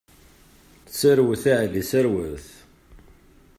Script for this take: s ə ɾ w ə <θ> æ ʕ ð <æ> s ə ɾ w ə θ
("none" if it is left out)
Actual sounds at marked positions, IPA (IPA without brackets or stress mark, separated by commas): θ, i